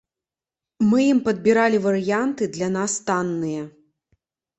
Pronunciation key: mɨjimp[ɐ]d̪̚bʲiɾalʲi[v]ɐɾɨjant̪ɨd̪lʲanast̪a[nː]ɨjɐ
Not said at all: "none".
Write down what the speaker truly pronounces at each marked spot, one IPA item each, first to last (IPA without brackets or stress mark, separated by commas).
ɐ, v, nː